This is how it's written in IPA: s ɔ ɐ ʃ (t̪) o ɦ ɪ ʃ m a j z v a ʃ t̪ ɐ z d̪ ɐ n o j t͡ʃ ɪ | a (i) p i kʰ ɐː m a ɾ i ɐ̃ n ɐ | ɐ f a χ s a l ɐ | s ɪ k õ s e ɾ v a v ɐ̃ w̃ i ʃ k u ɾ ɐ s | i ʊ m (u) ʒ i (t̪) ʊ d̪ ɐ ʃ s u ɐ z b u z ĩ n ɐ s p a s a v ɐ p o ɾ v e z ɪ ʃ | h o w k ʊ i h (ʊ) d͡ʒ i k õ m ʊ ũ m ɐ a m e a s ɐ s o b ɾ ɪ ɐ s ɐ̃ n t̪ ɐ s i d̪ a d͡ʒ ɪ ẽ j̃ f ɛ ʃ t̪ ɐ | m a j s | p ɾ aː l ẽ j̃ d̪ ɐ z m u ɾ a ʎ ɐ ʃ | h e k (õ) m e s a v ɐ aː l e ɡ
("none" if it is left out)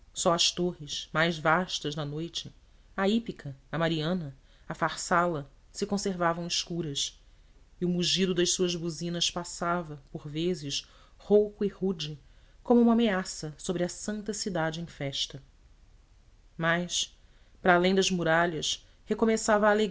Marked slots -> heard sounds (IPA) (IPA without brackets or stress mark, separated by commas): t̪, i, u, d̪, u, o